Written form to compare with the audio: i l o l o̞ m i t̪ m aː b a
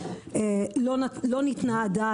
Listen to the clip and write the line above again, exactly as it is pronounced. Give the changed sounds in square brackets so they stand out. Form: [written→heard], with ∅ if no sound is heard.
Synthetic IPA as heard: [i→e] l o l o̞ [m→n] i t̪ [m→n] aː [b→d] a